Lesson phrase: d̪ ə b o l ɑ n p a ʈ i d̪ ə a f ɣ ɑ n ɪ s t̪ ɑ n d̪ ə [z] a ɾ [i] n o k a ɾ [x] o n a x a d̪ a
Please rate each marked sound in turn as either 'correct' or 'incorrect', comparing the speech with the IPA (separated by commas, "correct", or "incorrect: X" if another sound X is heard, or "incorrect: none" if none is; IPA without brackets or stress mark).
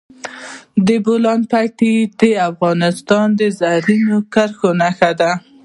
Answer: correct, correct, correct